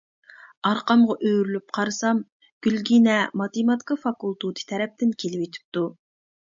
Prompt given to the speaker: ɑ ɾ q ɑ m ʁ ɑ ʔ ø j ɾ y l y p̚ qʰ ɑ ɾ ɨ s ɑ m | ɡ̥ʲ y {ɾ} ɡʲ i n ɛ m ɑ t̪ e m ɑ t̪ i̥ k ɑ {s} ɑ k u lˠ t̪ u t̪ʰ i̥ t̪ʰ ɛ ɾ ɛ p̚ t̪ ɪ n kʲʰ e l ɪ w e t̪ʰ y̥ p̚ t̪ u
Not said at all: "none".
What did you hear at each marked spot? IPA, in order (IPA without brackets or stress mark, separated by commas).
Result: l, f